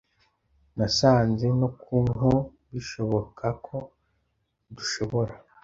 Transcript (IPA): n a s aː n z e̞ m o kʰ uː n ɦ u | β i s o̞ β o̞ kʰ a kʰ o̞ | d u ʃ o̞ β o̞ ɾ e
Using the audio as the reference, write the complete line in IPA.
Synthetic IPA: n a s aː n z e̞ n o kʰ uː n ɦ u | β i ʃ o̞ β o̞ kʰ a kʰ o̞ | d u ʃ o̞ β o̞ ɾ a